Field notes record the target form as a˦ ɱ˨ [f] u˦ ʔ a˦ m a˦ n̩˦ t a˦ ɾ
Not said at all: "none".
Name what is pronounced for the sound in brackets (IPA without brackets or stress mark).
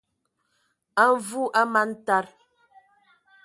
v